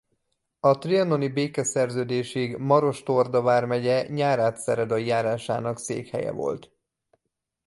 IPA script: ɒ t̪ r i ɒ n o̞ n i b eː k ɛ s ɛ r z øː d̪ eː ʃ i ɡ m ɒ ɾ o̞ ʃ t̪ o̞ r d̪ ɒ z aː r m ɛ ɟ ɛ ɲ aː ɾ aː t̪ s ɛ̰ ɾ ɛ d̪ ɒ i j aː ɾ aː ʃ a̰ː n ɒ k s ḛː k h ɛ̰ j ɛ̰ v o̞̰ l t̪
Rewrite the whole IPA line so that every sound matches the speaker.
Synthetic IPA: ɒ t̪ r i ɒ n o̞ n i b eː k ɛ s ɛ r z øː d̪ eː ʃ i ɡ m ɒ ɾ o̞ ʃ t̪ o̞ r d̪ ɒ v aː r m ɛ ɟ ɛ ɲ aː ɾ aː t̪ s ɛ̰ ɾ ɛ d̪ ɒ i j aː ɾ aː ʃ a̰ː n ɒ k s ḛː k h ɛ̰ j ɛ̰ v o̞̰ l t̪